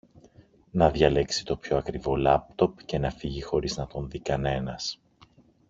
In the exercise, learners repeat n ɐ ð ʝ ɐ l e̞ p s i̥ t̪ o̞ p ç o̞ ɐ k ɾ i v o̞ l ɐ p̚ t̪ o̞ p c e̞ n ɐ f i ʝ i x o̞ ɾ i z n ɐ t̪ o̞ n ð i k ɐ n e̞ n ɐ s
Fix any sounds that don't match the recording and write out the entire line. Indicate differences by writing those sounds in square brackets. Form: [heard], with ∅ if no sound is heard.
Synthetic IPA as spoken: n ɐ ð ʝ ɐ l e̞ [k] s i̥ t̪ o̞ p ç o̞ ɐ k ɾ i v o̞ l ɐ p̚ t̪ o̞ p c e̞ n ɐ f i ʝ i x o̞ ɾ i z n ɐ t̪ o̞ n ð i k ɐ n e̞ n ɐ s

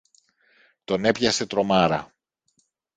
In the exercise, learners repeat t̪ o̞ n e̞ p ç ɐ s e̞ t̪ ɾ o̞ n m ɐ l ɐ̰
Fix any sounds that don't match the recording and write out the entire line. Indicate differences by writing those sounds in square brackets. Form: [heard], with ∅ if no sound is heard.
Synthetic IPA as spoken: t̪ o̞ n e̞ p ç ɐ s e̞ t̪ ɾ o̞ [∅] m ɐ [ɾ] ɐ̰

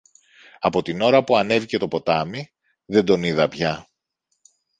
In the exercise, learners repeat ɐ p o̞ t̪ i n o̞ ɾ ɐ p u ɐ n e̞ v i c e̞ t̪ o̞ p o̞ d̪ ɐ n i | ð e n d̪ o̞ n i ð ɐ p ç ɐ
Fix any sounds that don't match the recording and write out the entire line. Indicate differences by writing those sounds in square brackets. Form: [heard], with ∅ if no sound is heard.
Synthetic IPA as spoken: ɐ p o̞ t̪ i n o̞ ɾ ɐ p u ɐ n e̞ v i c e̞ t̪ o̞ p o̞ [t̪] ɐ [m] i | ð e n d̪ o̞ n i ð ɐ p ç ɐ

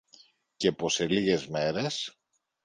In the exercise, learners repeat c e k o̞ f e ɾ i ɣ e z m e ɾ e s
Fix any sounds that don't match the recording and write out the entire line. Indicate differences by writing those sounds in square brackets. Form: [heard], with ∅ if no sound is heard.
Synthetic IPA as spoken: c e [p] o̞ [s] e [l] i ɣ e z m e ɾ e s

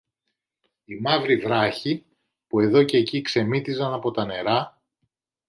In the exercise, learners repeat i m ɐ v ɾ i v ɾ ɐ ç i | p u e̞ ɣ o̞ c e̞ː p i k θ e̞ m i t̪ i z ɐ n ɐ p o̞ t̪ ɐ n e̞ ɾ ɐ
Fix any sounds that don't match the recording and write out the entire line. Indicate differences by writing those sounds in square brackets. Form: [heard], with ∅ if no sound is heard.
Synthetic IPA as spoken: i m ɐ v ɾ i v ɾ ɐ ç i | p u e̞ [ð] o̞ c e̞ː [c] i k [s] e̞ m i t̪ i z ɐ n ɐ p o̞ t̪ ɐ n e̞ ɾ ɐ

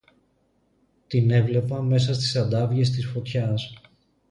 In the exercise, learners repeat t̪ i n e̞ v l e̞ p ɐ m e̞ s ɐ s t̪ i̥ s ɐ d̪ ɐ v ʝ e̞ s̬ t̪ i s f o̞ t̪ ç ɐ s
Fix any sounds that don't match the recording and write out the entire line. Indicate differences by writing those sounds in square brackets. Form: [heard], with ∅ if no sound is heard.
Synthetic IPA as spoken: t̪ i n e̞ v l e̞ p ɐ m e̞ s ɐ s t̪ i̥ s ɐ d̪ ɐ v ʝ e̞ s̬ t̪ i s f o̞ t̪ ç ɐ s

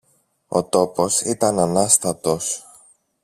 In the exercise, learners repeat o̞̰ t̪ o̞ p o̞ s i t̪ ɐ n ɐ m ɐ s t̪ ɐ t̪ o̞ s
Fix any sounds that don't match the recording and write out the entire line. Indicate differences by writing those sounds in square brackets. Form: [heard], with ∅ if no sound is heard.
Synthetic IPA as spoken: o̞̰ t̪ o̞ p o̞ s i t̪ ɐ n ɐ [n] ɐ s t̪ ɐ t̪ o̞ s

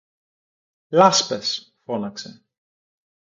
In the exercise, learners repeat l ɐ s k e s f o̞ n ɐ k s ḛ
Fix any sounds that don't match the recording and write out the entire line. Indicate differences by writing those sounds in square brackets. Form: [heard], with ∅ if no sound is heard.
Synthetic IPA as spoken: l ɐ s [p] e s f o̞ n ɐ k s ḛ

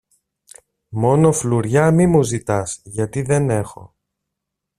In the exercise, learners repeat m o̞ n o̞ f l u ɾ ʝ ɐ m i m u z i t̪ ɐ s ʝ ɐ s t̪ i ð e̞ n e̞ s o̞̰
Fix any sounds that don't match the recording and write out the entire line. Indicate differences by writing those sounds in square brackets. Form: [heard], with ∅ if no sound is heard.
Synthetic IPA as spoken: m o̞ n o̞ f l u ɾ ʝ ɐ m i m u z i t̪ ɐ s ʝ ɐ [∅] t̪ i ð e̞ n e̞ [x] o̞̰

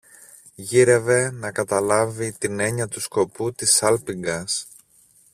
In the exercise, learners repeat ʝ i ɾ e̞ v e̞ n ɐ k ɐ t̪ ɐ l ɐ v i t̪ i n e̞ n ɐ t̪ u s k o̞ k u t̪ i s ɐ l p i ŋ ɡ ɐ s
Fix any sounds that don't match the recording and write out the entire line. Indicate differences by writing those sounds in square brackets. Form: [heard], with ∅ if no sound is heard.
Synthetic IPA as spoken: ʝ i ɾ e̞ v e̞ n ɐ k ɐ t̪ ɐ l ɐ v i t̪ i n e̞ [ɲ] ɐ t̪ u s k o̞ [p] u t̪ i s ɐ l p i ŋ ɡ ɐ s

